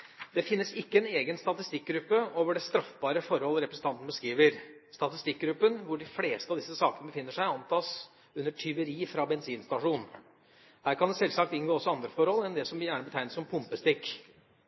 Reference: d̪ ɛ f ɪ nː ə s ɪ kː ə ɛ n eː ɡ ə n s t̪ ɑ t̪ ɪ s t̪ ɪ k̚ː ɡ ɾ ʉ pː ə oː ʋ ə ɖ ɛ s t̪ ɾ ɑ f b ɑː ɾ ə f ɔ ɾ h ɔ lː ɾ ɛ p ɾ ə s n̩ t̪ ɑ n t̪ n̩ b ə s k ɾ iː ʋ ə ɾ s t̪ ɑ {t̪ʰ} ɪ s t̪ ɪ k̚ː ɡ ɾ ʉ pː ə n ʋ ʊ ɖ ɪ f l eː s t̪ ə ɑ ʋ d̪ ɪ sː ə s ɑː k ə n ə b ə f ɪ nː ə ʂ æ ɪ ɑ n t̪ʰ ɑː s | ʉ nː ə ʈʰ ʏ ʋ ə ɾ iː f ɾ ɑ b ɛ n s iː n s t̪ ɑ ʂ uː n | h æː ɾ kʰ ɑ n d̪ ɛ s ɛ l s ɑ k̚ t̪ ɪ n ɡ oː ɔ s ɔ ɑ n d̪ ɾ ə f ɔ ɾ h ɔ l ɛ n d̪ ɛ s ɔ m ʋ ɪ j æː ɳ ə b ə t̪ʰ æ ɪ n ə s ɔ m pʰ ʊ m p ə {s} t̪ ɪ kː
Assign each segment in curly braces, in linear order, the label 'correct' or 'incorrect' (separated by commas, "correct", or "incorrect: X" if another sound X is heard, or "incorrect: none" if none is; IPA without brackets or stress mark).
incorrect: t̪, correct